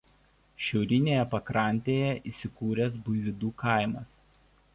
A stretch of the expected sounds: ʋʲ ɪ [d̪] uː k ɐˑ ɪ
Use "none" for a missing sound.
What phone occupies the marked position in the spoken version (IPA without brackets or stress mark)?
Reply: d̪